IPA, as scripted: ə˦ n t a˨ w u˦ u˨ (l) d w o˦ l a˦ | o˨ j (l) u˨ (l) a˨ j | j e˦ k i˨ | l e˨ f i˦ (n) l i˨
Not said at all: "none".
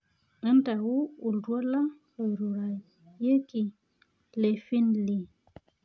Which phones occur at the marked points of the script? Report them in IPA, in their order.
l, ɾ, ɾ, n

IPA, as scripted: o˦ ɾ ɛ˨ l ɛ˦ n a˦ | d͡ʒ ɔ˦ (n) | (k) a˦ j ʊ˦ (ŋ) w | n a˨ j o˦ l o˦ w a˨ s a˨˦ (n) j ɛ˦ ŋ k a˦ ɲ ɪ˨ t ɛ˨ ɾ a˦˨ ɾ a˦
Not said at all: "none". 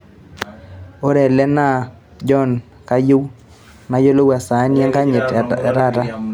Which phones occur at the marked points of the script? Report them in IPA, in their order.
n, k, none, n

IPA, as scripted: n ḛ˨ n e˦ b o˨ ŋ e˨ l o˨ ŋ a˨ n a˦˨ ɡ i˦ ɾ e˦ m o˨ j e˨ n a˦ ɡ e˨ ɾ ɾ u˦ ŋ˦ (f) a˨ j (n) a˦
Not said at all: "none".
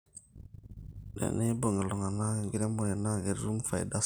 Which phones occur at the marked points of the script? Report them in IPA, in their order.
f, d

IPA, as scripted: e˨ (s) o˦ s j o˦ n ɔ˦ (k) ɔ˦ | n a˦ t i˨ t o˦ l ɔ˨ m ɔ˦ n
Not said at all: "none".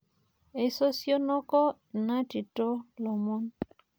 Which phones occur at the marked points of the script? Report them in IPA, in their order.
s, k

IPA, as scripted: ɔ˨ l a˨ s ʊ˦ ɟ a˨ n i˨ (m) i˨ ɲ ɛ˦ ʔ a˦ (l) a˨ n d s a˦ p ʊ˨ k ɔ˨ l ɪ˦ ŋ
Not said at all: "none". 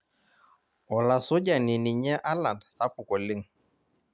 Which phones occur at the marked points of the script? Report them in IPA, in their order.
n, l

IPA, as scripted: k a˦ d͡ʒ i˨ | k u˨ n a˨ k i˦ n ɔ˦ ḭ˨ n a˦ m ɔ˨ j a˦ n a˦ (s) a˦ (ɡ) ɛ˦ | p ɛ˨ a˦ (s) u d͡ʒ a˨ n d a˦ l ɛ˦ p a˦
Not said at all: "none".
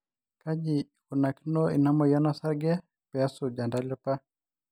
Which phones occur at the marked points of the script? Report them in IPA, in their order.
s, ɡ, s

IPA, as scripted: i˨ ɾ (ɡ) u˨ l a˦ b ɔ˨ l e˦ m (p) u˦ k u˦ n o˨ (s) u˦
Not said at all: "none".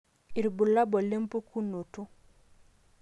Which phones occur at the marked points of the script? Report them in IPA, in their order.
b, p, t

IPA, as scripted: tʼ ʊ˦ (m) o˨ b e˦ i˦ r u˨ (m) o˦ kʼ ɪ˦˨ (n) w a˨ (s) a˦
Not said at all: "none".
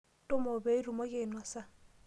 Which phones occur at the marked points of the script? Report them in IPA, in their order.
m, m, n, s

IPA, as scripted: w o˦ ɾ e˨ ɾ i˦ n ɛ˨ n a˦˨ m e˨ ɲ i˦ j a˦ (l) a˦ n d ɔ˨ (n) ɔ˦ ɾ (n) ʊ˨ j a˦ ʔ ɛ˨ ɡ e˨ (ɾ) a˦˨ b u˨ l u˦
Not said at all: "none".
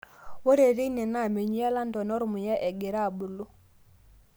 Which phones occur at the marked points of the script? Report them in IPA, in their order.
l, n, m, ɾ

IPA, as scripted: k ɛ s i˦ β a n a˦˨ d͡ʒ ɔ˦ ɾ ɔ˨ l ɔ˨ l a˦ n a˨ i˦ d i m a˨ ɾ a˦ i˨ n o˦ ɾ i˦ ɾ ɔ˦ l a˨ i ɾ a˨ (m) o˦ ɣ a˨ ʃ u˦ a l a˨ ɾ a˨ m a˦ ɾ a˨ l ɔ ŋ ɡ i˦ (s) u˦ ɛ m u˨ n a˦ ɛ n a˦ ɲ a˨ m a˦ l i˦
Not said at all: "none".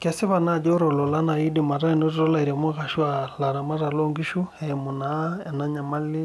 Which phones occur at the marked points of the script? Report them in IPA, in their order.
m, ʃ

